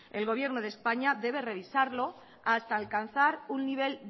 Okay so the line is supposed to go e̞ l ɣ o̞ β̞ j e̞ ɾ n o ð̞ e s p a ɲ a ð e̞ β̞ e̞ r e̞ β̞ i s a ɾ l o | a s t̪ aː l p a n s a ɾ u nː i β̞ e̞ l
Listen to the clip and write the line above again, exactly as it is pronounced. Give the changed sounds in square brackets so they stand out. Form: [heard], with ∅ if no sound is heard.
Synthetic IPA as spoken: e̞ l ɣ o̞ β̞ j e̞ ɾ n o ð̞ e s p a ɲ a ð e̞ β̞ e̞ r e̞ β̞ i s a ɾ l o | a s t̪ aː l [k] a n [θ] a ɾ u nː i β̞ e̞ l